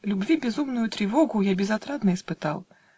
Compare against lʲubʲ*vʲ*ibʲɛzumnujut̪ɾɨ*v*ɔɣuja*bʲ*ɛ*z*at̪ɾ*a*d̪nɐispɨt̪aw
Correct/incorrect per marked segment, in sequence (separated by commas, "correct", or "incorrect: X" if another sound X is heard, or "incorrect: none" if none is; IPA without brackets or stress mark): correct, correct, correct, correct, correct